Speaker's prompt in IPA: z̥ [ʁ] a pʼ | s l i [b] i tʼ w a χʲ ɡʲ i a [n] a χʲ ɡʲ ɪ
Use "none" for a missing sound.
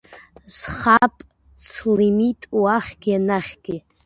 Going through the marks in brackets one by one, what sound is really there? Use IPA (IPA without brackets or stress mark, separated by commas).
χ, m, n